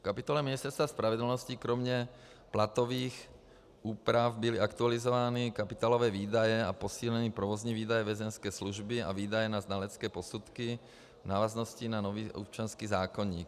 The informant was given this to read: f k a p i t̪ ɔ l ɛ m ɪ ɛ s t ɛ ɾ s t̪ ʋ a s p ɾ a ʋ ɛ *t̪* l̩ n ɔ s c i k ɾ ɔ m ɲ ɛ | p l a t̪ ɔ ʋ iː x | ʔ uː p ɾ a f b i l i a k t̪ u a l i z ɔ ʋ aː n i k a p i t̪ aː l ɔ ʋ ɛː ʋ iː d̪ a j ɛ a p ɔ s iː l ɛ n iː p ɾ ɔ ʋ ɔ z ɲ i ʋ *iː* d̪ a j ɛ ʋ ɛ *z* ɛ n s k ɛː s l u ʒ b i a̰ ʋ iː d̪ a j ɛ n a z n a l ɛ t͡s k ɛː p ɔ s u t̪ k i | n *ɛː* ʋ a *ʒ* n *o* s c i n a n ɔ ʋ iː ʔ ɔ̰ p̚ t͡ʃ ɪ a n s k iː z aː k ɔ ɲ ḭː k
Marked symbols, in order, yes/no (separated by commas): no, yes, yes, no, no, no